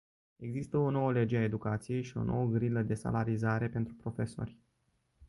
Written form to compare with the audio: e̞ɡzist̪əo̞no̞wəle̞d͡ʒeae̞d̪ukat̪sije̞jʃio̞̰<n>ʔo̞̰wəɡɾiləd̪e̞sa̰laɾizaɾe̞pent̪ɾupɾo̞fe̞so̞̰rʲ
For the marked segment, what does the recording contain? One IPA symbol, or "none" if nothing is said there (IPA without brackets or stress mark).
n